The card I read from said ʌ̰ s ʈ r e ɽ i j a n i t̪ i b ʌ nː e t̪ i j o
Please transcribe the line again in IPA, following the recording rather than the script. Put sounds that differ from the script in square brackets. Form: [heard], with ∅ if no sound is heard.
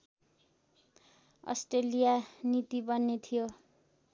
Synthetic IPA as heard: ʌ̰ s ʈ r e [l] i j a n i t̪ i b ʌ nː e [t̪ʰ] i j o